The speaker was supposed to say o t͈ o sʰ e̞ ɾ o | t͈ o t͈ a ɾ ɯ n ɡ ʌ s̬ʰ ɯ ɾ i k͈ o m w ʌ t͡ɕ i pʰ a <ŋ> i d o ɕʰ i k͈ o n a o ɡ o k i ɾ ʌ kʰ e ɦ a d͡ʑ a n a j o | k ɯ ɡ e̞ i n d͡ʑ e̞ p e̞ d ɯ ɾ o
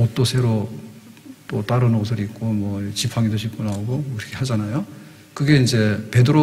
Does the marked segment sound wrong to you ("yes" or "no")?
no